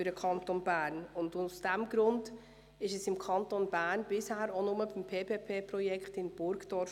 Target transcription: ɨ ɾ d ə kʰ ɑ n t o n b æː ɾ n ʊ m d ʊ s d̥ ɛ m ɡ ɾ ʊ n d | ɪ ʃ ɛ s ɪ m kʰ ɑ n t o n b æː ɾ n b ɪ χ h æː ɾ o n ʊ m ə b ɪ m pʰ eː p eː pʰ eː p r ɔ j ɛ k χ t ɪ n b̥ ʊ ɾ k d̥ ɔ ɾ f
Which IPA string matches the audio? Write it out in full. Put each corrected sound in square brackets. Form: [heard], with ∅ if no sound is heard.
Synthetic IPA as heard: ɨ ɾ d ə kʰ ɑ n t o n b æː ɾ n ʊ [n] d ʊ s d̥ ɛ m ɡ ɾ ʊ n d | ɪ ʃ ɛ s ɪ m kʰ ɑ n t o n b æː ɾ n b ɪ [s] h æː ɾ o n ʊ m ə b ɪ m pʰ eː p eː pʰ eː p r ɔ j ɛ k χ t ɪ n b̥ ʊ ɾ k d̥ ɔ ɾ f